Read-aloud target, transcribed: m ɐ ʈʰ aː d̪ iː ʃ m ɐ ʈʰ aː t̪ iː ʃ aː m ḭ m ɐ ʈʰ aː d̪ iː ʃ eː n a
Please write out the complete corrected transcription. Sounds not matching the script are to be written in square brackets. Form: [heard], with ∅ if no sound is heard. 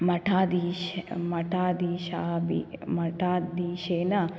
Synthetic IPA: m ɐ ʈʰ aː d̪ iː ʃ m ɐ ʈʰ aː [d̪] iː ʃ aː [b] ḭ m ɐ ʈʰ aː d̪ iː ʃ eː n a